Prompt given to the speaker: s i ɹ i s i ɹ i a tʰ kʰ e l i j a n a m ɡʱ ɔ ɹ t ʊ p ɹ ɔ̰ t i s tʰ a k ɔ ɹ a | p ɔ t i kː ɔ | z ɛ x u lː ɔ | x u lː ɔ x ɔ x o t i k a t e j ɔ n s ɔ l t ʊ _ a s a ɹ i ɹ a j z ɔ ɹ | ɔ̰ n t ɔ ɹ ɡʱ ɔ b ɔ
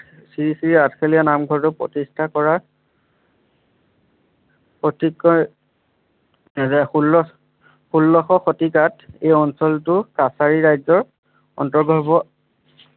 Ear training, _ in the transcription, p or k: k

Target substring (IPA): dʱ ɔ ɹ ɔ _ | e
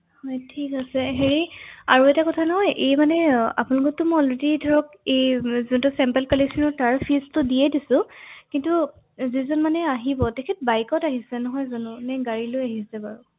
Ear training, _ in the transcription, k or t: k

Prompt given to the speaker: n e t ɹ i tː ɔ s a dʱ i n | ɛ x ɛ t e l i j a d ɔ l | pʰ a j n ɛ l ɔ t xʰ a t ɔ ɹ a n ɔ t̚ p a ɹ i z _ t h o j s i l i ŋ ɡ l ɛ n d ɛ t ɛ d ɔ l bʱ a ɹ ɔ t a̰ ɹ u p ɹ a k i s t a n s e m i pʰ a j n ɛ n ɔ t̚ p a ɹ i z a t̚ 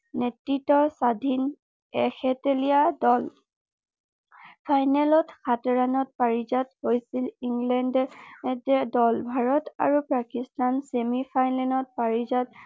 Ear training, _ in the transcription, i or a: a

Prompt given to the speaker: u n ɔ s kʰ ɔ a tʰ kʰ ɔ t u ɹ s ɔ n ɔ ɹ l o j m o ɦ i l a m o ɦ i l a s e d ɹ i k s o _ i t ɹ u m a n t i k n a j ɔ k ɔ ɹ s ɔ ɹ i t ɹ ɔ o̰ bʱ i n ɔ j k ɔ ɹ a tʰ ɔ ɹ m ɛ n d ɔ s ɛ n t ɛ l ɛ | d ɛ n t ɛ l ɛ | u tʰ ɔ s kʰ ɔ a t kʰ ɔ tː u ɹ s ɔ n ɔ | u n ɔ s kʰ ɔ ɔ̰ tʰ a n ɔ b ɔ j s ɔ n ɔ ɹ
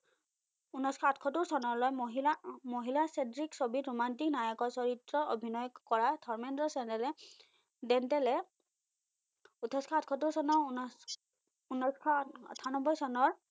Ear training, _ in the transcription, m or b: b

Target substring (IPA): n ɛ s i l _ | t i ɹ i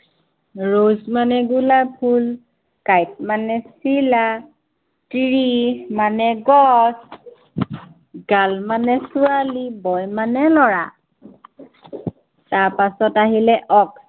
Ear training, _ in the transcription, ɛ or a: a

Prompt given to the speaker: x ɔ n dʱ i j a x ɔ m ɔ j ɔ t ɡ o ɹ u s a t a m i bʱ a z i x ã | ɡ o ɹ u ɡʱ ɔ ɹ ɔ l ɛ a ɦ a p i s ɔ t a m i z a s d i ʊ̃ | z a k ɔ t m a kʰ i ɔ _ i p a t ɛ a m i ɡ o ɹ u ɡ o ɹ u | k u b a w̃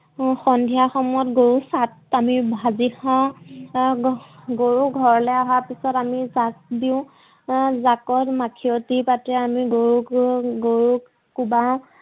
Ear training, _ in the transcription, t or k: t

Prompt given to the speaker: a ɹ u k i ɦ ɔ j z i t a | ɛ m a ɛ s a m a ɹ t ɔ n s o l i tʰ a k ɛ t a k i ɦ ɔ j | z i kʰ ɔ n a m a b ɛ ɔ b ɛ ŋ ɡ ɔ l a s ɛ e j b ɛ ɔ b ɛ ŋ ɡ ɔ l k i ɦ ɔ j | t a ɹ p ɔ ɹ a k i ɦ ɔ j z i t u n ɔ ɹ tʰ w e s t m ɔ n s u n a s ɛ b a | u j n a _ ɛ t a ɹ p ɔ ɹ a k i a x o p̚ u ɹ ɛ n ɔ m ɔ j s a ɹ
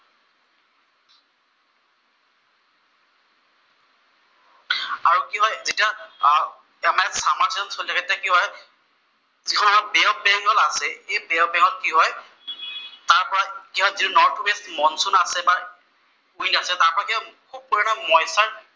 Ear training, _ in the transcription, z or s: s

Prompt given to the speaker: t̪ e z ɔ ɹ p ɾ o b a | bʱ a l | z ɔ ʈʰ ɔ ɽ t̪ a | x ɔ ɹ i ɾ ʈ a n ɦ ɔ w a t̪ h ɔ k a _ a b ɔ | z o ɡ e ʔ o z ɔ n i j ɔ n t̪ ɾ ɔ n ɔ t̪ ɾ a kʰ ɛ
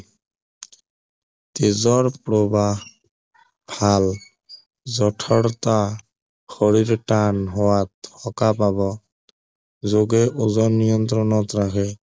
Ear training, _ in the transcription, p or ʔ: p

